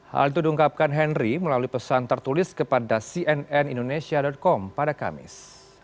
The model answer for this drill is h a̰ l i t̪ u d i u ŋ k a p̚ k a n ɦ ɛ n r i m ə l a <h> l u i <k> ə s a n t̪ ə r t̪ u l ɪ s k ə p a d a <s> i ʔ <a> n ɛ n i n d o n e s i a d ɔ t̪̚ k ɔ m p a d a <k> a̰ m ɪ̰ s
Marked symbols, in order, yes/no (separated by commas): no, no, yes, no, yes